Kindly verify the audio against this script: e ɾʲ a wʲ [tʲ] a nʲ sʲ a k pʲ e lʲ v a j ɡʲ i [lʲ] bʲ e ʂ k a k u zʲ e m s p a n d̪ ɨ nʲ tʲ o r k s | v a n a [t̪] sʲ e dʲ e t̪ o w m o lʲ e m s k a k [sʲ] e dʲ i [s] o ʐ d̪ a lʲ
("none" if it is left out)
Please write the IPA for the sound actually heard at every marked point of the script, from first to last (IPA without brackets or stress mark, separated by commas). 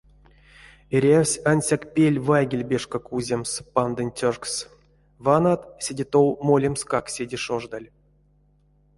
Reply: sʲ, lʲ, t̪, sʲ, ʂ